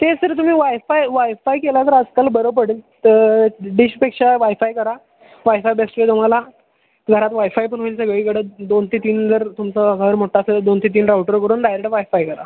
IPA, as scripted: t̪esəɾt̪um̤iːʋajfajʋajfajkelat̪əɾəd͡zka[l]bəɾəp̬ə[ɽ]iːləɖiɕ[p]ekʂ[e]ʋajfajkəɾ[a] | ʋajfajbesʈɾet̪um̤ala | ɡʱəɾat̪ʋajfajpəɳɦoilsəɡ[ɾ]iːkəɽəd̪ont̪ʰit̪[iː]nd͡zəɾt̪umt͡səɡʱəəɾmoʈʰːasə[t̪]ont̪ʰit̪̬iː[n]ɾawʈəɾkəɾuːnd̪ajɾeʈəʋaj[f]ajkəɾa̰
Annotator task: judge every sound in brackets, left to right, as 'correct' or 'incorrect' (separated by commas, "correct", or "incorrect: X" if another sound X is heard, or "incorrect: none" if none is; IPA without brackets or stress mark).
correct, correct, correct, incorrect: a, correct, incorrect: ɭ, correct, incorrect: d̪, correct, correct